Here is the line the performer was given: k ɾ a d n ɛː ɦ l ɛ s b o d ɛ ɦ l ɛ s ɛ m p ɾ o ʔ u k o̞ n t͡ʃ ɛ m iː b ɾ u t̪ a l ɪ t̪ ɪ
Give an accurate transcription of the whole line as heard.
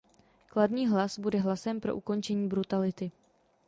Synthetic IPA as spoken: k l a d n iː ɦ l a s b u d ɛ ɦ l a s ɛ m p ɾ o ʔ u k o̞ n t͡ʃ ɛ ɲ iː b ɾ u t̪ a l ɪ t̪ ɪ